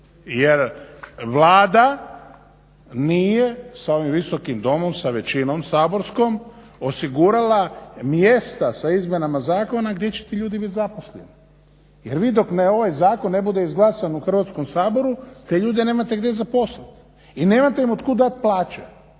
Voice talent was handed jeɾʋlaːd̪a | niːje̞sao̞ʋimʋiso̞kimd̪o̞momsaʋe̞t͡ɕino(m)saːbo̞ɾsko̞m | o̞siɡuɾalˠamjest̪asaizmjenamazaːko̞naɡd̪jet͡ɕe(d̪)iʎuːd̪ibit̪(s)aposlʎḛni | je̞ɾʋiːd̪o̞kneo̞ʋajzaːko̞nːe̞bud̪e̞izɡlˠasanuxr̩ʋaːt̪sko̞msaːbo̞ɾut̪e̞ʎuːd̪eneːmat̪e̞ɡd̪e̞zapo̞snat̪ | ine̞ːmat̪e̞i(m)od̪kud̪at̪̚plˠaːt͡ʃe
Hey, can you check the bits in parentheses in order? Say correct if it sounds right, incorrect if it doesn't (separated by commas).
correct, incorrect, incorrect, correct